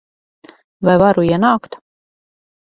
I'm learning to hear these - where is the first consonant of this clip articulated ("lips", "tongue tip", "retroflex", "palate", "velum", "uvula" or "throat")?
lips